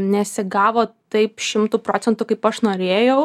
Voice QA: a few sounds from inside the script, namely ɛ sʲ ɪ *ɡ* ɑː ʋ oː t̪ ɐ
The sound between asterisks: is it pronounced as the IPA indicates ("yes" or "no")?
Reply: yes